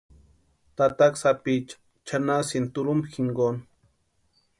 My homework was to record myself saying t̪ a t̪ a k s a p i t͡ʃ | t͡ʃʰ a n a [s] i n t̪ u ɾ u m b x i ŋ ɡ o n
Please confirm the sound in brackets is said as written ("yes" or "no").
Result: yes